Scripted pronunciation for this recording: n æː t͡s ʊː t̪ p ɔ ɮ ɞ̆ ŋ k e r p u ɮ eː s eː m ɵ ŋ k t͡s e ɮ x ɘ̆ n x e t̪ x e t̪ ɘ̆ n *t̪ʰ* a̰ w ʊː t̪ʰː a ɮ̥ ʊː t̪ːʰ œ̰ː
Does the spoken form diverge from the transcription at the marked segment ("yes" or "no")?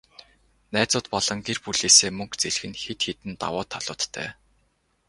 yes